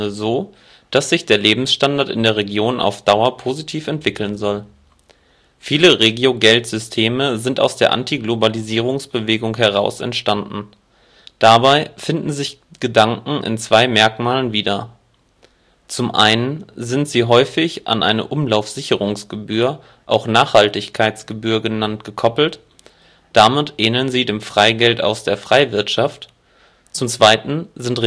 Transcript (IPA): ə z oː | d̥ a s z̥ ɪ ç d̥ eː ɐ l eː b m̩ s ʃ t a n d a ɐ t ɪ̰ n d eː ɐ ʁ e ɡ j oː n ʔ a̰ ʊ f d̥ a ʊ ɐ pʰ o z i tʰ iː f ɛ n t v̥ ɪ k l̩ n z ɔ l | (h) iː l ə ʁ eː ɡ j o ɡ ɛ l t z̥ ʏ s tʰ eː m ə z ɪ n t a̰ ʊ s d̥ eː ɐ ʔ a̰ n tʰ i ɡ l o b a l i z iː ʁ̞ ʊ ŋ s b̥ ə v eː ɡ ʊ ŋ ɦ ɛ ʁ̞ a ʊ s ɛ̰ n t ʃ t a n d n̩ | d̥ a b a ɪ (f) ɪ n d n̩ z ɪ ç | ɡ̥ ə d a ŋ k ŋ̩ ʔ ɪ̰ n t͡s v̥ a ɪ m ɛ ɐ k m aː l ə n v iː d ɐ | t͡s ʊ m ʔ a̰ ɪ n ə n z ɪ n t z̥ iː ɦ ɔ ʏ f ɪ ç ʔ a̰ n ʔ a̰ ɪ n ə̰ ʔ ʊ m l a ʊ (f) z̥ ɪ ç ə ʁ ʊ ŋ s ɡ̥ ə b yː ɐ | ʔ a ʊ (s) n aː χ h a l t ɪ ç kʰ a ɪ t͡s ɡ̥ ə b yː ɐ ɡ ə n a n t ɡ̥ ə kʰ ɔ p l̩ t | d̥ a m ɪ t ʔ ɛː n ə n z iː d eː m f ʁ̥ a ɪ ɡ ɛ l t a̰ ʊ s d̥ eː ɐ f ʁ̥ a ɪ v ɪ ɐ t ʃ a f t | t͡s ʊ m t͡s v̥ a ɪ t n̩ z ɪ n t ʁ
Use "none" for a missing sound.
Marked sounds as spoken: f, f, f, x

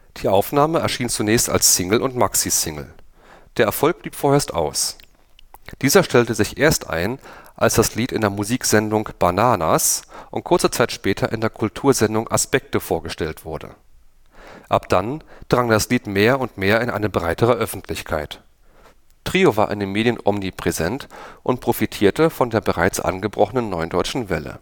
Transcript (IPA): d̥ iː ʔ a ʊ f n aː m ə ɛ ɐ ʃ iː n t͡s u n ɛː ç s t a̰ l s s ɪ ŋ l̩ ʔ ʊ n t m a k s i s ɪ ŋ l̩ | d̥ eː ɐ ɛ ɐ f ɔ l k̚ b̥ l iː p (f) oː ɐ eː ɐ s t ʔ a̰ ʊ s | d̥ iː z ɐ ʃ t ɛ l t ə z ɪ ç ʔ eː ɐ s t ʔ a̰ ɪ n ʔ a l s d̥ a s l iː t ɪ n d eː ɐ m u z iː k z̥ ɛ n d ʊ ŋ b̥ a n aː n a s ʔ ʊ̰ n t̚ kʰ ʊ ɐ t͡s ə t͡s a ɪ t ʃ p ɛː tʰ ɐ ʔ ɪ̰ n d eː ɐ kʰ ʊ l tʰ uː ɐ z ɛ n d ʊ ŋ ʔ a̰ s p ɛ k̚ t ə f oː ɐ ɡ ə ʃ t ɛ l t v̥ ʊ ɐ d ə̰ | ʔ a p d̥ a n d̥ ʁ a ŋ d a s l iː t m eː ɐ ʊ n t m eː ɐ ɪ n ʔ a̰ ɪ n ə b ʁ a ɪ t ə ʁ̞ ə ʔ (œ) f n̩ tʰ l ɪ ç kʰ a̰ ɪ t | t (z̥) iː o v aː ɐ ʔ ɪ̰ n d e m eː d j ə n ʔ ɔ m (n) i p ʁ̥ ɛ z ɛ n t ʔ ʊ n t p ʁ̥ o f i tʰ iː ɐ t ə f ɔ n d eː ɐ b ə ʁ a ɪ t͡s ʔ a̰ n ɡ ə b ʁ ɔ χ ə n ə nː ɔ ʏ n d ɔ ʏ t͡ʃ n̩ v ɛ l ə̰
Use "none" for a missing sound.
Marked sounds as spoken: f, œ, ʁ̥, n

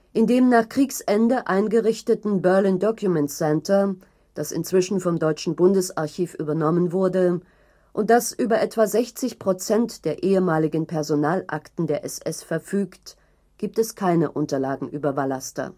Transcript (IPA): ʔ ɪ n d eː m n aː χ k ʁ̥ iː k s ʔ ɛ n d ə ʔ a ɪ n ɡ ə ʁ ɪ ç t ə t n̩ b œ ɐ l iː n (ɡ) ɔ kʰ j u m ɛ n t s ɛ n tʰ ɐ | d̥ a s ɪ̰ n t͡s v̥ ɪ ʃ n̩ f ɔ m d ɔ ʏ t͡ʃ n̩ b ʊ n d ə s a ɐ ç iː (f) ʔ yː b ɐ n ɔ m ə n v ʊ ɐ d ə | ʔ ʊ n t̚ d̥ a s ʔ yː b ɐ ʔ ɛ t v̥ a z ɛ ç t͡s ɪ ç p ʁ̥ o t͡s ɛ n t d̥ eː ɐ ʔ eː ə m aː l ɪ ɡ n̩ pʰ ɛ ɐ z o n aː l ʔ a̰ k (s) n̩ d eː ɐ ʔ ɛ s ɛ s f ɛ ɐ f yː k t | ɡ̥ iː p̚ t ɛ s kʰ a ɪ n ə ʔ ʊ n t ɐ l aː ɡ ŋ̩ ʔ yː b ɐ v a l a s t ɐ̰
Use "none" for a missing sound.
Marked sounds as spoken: d, f, t

